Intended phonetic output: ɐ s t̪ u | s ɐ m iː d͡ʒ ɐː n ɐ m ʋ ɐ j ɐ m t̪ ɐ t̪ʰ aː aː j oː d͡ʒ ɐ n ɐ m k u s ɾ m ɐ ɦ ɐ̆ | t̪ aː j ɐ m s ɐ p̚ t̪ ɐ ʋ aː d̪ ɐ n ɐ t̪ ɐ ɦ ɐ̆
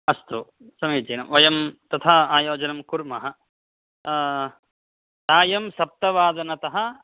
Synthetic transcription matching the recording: ɐ s t̪ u | s ɐ m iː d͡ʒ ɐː n ɐ m ʋ ɐ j ɐ m t̪ ɐ t̪ʰ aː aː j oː d͡ʒ ɐ n ɐ m k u ɾ m ɐ ɦ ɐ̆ | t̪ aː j ɐ m s ɐ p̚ t̪ ɐ ʋ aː d̪ ɐ n ɐ t̪ ɐ ɦ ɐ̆

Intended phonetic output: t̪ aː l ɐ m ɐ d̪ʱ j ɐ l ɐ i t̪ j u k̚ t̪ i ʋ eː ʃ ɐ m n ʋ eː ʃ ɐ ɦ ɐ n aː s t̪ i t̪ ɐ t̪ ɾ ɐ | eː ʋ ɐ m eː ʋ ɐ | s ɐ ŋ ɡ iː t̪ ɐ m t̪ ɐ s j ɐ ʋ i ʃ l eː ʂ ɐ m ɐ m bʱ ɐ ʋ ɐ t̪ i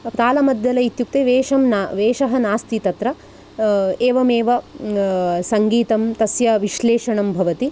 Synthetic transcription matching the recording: t̪ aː l ɐ m ɐ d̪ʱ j ɐ l ɐ i t̪ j u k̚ t̪ e ʋ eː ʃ ɐ m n ʋ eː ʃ ɐ ɦ ɐ n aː s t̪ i t̪ ɐ t̪ ɾ ɐ | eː ʋ ɐ m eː ʋ ɐ | s ɐ ŋ ɡ iː t̪ ɐ m t̪ ɐ s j ɐ ʋ i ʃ l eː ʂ ɐ ɳ ɐ m bʱ ɐ ʋ ɐ t̪ i

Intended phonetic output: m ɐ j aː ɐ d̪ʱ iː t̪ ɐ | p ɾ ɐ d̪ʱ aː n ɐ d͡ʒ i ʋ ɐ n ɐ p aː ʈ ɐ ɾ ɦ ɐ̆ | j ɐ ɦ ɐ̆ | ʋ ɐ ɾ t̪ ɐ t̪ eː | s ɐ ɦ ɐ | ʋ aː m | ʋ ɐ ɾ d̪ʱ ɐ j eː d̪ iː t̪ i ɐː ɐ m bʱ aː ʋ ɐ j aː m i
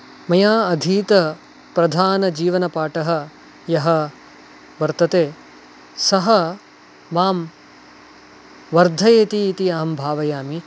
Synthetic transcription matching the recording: m ɐ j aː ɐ d̪ʱ iː t̪ ɐ | p ɾ ɐ d̪ʱ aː n ɐ d͡ʒ iː ʋ ɐ n ɐ p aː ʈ ɐ ɦ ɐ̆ | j ɐ ɦ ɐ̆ | ʋ ɐ ɾ t̪ ɐ t̪ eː | s ɐ ɦ ɐ | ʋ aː m | ʋ ɐ ɾ d̪ʱ ɐ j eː t̪ iː t̪ i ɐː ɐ m bʱ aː ʋ ɐ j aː m i

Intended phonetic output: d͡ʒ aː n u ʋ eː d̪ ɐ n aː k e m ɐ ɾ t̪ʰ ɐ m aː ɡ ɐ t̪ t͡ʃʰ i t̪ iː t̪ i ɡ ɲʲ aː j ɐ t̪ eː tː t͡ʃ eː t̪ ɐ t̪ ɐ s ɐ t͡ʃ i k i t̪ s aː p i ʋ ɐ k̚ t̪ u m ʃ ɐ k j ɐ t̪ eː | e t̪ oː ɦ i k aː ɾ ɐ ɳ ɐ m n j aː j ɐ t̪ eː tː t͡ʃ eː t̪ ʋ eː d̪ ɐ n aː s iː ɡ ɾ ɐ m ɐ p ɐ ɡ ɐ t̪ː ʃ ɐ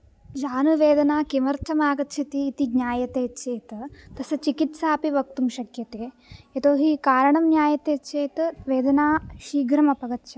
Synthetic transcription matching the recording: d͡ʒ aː n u ʋ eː d̪ ɐ n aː k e m ɐ ɾ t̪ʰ ɐ m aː ɡ ɐ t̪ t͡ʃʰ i t̪ iː t̪ i ɡ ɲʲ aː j ɐ t̪ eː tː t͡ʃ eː t̪ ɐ t̪ ɐ s ɐ t͡ʃ i k i t̪ s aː p i ʋ ɐ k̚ t̪ u m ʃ ɐ k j ɐ t̪ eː | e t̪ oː ɦ i k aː ɾ ɐ ɳ ɐ m n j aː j ɐ t̪ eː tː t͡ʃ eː t̪ ʋ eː d̪ ɐ n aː ʃ iː ɡ ɾ ɐ m ɐ p ɐ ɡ ɐ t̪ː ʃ ɐ

